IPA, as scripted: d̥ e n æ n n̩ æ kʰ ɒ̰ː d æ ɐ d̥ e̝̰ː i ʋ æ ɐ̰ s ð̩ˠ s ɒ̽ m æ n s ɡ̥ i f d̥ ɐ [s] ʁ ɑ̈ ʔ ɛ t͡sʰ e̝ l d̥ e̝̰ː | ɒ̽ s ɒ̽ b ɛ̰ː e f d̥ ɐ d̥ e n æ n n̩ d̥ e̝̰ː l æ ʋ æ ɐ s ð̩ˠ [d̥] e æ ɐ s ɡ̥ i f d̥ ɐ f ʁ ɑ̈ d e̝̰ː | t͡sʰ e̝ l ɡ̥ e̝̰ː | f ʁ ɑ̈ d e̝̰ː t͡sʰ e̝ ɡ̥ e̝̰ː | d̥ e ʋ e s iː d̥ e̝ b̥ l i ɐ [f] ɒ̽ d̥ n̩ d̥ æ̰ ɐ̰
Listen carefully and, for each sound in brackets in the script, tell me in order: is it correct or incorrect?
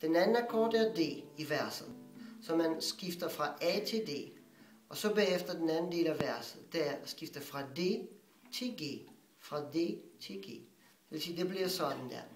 incorrect: f, correct, incorrect: s

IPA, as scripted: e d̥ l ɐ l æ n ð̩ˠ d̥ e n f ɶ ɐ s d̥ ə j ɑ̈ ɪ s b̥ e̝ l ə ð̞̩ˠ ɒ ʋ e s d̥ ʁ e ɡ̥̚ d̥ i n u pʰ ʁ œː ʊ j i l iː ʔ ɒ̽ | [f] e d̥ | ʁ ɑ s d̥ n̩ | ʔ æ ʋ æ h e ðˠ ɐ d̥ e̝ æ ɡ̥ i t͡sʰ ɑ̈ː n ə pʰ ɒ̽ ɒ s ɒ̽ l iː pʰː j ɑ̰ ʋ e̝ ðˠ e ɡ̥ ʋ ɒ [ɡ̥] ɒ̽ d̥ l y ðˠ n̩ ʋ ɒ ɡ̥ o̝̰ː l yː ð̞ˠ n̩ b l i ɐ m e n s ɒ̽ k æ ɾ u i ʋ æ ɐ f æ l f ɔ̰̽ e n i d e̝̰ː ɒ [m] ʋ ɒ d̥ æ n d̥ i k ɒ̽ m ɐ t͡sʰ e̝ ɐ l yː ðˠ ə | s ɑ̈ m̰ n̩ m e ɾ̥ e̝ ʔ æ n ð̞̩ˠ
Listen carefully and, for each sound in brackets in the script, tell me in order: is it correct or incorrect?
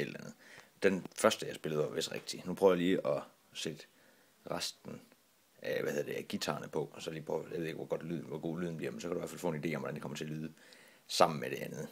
incorrect: s, correct, correct

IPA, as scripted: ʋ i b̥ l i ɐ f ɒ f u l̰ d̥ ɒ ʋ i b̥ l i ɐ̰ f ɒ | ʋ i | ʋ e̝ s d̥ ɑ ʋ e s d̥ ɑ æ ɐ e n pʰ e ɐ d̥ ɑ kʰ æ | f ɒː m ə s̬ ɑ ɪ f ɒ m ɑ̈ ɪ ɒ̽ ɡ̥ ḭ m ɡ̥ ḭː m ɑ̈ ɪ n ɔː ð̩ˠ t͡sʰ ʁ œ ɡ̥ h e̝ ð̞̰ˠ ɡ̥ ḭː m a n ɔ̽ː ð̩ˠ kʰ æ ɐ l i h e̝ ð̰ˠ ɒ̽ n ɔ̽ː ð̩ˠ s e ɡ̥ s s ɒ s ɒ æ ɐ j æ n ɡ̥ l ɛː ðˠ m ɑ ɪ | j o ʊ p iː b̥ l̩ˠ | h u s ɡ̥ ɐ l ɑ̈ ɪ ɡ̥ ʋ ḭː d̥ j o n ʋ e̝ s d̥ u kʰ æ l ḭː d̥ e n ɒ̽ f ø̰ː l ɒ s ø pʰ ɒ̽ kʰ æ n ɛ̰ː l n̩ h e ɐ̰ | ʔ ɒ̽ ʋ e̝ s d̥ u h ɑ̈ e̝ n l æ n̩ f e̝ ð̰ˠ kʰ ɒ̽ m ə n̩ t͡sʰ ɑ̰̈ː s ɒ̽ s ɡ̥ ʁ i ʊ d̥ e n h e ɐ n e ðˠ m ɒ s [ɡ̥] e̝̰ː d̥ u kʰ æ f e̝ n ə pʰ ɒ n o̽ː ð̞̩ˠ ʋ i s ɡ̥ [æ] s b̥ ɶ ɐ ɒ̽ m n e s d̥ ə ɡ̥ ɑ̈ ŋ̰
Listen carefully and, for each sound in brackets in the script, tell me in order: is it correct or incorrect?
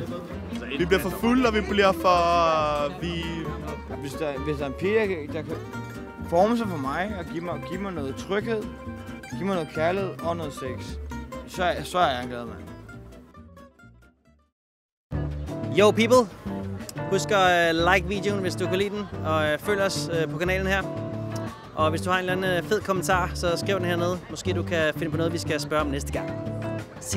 correct, correct

